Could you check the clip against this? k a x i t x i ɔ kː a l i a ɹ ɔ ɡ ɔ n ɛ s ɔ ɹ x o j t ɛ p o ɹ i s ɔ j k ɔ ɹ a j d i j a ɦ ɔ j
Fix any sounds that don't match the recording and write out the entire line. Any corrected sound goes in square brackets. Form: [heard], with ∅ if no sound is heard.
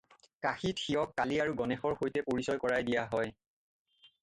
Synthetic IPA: k a x i t x i ɔ kː a l i a ɹ [u] ɡ ɔ n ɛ [x] ɔ ɹ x o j t ɛ p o ɹ i s ɔ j k ɔ ɹ a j d i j a ɦ ɔ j